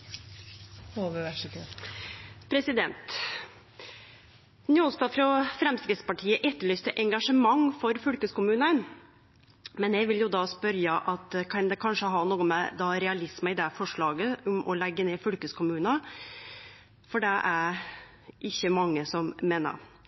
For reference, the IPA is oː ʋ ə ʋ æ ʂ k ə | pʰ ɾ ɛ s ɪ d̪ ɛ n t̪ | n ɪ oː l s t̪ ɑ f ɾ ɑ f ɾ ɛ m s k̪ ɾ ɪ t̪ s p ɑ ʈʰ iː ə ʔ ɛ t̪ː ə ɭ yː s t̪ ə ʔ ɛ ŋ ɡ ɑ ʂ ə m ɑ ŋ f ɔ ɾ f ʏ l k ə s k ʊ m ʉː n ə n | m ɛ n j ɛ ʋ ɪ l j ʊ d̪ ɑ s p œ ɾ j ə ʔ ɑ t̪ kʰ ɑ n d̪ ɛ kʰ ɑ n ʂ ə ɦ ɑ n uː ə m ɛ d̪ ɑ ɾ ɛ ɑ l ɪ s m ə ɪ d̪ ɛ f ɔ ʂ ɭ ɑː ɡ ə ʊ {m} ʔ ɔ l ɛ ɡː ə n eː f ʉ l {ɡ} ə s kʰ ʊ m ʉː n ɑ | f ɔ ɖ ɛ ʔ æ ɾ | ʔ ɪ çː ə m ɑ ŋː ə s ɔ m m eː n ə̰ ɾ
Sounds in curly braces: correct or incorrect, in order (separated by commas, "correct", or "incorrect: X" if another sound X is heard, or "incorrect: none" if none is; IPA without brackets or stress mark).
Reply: correct, incorrect: k